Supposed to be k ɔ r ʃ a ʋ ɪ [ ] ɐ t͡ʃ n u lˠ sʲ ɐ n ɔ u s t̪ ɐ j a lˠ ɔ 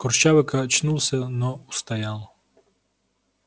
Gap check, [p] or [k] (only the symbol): k